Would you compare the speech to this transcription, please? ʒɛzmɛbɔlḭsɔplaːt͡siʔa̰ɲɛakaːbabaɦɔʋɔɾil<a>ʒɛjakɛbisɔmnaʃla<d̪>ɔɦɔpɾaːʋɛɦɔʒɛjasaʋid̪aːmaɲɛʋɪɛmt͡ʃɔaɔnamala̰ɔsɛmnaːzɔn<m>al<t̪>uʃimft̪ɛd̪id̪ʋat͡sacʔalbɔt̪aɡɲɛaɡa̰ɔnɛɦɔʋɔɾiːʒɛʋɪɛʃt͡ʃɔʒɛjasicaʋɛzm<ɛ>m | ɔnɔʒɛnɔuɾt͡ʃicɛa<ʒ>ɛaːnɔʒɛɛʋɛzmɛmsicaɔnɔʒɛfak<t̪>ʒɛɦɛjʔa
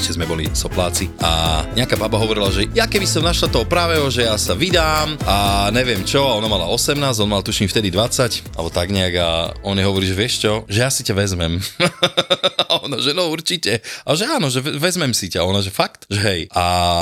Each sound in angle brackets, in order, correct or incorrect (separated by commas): correct, incorrect, correct, correct, correct, correct, correct